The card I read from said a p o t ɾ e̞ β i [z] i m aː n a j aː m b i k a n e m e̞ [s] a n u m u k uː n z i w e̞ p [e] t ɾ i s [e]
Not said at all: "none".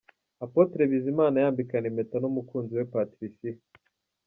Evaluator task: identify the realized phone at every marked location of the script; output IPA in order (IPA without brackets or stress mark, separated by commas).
z, t, a, i